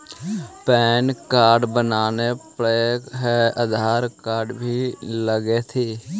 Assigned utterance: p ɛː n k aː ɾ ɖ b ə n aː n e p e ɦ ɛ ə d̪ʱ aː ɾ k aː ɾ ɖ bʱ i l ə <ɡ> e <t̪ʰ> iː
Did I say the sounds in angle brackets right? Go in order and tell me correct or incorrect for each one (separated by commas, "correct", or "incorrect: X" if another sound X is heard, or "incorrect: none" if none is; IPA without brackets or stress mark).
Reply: correct, correct